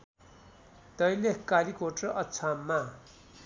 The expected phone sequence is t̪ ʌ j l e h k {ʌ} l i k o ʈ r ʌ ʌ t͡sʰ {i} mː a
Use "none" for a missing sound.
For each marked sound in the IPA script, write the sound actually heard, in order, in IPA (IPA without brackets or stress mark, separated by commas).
a, a